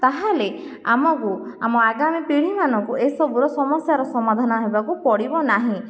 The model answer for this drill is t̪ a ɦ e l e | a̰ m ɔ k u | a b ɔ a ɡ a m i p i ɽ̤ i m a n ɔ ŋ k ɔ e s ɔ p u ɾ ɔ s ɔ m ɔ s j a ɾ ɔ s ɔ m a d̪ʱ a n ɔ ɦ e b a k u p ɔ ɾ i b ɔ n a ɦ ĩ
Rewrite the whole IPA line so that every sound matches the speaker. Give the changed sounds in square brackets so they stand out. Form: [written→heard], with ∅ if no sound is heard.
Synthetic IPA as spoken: t̪ a ɦ [e→a] l e | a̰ m ɔ k u | a [b→m] ɔ a ɡ a m i p i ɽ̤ i m a n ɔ ŋ k [ɔ→u] e s ɔ [p→b] u ɾ ɔ s ɔ m ɔ s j a ɾ ɔ s ɔ m a d̪ʱ a n ɔ ɦ e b a k u p ɔ [ɾ→ɽ] i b ɔ n a ɦ ĩ